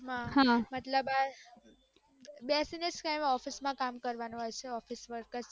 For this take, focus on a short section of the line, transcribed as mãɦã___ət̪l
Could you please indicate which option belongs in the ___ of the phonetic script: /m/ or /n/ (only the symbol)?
m